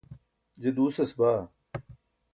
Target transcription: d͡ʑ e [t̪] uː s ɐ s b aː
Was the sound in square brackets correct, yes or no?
no